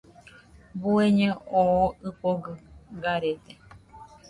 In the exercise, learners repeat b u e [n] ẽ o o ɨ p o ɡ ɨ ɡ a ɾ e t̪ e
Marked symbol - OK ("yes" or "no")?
no